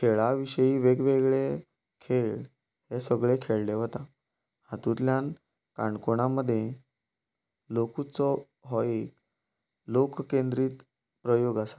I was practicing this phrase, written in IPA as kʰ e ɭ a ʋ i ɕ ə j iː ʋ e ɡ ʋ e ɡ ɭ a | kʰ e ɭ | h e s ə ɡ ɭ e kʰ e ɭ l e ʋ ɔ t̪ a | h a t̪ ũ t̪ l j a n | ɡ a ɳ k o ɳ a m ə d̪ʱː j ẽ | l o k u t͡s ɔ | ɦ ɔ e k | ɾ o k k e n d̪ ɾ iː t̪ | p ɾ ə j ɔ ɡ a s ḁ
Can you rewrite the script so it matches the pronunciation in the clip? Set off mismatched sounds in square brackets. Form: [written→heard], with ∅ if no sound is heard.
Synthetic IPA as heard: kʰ e ɭ a ʋ i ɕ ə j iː ʋ e ɡ ʋ e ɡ ɭ [a→e] | kʰ e ɭ | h e s ə ɡ ɭ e kʰ e ɭ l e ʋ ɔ t̪ a | h a t̪ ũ t̪ l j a n | [ɡ→k] a ɳ k o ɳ a m ə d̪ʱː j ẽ | l o k u t͡s ɔ | ɦ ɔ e k | [ɾ→l] o k k e n d̪ ɾ iː t̪ | p ɾ ə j [ɔ→o] ɡ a s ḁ